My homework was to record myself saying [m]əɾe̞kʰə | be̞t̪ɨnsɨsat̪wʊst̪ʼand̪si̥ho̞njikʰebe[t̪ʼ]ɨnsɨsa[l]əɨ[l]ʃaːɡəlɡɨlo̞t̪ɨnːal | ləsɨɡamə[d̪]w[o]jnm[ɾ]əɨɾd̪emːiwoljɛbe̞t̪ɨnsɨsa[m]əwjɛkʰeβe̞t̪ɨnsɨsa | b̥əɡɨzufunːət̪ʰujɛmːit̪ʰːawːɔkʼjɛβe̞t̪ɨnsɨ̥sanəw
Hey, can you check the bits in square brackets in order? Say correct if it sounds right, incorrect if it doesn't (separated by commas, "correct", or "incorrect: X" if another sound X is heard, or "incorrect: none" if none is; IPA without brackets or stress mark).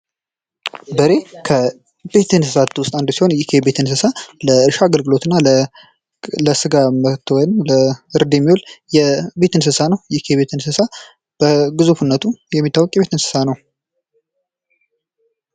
incorrect: b, incorrect: t̪, correct, incorrect: ɾ, incorrect: t̪, incorrect: ɔ, incorrect: l, incorrect: n